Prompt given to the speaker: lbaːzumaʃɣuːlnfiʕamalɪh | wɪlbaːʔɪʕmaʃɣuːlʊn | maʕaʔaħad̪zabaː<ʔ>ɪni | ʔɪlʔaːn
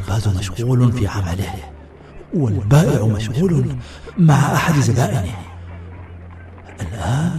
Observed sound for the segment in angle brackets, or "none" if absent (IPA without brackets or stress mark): ʔ